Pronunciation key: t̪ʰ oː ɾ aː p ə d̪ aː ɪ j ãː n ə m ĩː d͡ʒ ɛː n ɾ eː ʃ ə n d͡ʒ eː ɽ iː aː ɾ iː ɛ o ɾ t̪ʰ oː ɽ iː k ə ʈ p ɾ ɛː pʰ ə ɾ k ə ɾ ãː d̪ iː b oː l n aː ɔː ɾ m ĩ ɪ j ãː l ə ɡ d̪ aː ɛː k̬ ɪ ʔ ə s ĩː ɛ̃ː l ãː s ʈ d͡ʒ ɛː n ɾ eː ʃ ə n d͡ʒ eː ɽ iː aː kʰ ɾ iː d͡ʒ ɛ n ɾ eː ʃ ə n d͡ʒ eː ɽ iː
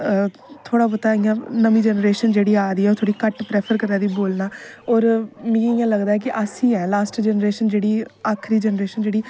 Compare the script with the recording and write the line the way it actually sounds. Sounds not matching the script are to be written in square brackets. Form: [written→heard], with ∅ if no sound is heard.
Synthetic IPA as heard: t̪ʰ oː [ɾ→ɽ] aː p ə [d̪→t̪] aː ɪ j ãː n ə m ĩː d͡ʒ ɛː n ɾ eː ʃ ə n d͡ʒ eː ɽ iː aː ɾ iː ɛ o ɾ t̪ʰ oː ɽ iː k ə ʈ p ɾ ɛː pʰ ə ɾ k ə ɾ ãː d̪ iː b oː l n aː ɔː ɾ m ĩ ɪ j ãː l ə ɡ d̪ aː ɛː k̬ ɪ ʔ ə s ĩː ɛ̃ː l [ãː→aː] s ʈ d͡ʒ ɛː n ɾ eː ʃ ə n d͡ʒ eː ɽ iː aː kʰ ɾ iː d͡ʒ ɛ n ɾ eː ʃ ə n d͡ʒ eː ɽ iː